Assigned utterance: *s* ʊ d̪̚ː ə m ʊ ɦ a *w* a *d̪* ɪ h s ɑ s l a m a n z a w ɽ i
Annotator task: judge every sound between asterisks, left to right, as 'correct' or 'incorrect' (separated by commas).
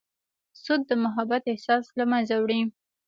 correct, incorrect, incorrect